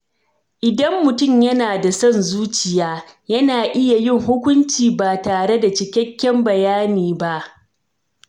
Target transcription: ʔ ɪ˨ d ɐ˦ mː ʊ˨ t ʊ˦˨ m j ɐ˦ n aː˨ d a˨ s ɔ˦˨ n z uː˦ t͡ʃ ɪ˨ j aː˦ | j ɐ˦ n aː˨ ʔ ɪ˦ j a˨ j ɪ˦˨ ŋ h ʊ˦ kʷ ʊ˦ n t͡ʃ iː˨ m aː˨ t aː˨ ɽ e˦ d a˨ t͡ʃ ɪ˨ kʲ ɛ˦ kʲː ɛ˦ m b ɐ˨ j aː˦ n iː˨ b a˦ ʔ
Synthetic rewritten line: ʔ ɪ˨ d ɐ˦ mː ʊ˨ t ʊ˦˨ m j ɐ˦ n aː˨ d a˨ s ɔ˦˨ n z uː˦ t͡ʃ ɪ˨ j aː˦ | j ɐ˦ n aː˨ ʔ ɪ˦ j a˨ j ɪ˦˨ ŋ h ʊ˦ kʷ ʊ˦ n t͡ʃ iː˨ b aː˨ t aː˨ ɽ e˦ d a˨ t͡ʃ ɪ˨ kʲ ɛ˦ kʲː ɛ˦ m b ɐ˨ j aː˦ n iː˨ b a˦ ʔ